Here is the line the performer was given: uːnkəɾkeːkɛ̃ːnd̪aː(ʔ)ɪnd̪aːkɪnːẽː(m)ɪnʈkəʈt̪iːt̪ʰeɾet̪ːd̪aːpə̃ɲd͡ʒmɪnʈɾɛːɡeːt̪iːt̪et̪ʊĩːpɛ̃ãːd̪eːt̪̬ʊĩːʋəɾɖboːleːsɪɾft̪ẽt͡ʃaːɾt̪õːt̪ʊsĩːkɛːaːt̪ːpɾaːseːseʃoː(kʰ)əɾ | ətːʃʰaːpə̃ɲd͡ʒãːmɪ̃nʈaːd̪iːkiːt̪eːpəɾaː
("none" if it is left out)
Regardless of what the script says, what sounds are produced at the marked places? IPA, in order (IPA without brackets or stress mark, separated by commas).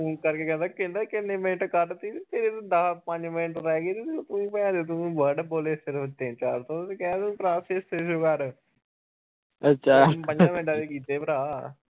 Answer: k, m, k